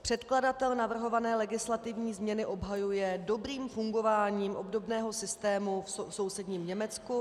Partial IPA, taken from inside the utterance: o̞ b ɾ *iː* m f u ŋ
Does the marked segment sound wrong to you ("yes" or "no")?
no